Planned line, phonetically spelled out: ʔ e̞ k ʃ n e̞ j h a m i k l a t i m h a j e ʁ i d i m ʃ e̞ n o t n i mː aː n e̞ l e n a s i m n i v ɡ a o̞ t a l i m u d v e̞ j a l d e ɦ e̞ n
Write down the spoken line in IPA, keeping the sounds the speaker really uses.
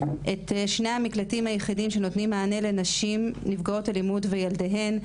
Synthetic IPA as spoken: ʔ e̞ t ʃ n e̞ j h a m i k l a t i m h a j e χ i d i m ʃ e̞ n o t n i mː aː n e̞ l e n a ʃ i m n i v ɡ a o̞ t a l i m u d v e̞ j a l d e ɦ e̞ n